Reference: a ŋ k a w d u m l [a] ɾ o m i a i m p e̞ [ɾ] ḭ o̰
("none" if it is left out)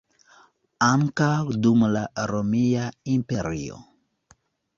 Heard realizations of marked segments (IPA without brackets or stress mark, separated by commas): a, ɾ